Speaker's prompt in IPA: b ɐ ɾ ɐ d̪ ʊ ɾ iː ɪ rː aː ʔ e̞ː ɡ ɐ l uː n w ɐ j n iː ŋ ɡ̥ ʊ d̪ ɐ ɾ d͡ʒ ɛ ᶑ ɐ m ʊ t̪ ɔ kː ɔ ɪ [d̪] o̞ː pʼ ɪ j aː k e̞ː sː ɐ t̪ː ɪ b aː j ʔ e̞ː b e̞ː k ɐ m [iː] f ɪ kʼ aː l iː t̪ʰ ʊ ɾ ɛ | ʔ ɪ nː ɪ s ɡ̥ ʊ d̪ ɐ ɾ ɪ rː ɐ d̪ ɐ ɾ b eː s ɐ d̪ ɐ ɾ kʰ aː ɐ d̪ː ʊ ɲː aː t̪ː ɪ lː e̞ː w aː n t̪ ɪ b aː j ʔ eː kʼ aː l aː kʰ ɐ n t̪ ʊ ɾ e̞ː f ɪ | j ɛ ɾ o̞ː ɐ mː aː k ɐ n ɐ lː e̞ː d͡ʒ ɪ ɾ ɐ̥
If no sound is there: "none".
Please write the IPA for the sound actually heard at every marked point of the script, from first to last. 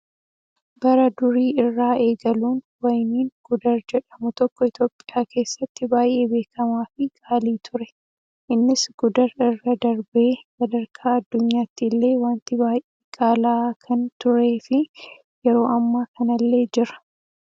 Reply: t̪, aː

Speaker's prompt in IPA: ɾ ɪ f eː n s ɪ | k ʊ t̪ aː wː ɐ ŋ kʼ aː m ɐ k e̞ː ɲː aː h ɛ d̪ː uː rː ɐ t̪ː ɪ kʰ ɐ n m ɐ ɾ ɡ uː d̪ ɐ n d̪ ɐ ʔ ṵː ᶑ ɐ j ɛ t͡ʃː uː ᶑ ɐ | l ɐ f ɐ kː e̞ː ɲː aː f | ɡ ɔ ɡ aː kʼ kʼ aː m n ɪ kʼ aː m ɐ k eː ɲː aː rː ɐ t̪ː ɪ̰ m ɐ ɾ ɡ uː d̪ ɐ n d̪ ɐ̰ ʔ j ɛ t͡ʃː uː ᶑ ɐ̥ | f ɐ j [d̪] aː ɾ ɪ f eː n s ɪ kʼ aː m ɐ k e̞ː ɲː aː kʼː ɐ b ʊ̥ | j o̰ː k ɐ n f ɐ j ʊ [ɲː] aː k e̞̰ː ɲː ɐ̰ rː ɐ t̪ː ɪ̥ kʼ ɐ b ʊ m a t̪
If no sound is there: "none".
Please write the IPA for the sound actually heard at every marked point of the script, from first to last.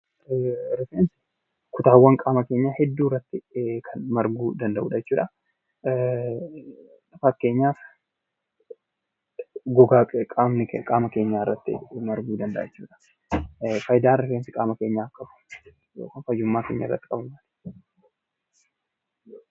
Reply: d̪, mː

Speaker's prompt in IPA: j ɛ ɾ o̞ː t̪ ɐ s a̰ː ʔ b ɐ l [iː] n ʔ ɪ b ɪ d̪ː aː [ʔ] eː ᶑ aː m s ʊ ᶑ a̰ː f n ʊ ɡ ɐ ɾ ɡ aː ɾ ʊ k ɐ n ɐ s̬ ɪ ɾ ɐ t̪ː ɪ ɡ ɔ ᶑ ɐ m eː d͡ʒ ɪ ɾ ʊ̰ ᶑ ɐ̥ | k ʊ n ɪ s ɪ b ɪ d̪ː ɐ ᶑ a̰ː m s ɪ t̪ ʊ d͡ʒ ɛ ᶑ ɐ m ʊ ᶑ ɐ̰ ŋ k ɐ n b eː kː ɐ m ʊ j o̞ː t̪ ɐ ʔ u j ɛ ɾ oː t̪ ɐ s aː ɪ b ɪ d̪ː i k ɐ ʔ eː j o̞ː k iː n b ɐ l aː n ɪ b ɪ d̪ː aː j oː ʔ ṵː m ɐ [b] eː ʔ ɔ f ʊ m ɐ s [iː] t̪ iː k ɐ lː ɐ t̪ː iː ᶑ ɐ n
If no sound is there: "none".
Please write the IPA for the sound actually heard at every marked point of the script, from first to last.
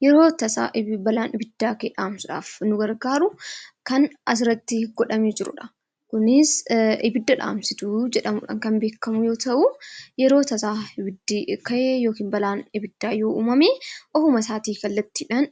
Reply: aː, k, m, aː

